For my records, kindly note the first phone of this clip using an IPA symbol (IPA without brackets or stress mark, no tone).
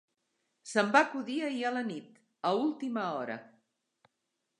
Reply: s